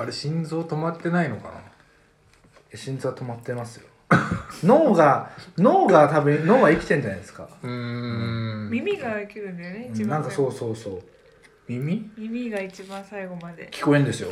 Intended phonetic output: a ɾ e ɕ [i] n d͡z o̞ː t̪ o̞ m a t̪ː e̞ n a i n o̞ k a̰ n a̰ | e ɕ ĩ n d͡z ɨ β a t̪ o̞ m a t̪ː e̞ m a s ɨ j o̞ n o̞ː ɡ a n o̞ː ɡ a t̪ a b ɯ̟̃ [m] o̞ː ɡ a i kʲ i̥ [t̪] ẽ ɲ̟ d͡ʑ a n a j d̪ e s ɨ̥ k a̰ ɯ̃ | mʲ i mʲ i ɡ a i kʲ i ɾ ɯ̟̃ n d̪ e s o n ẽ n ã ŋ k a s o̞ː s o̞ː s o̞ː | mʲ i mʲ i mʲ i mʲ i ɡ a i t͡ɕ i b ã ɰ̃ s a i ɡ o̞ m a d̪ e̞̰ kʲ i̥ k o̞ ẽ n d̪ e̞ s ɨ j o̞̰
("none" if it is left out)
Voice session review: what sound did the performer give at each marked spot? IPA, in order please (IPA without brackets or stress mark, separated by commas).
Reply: ĩ, n, t̪